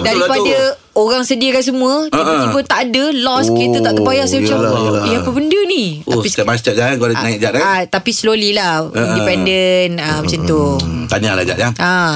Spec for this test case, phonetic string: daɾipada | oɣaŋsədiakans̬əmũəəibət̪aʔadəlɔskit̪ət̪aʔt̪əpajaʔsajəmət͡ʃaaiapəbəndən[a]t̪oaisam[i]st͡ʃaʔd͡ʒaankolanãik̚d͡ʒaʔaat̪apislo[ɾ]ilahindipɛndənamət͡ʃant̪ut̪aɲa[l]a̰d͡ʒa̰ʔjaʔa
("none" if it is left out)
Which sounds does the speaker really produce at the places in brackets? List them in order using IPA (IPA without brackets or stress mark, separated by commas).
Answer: i, a, l, l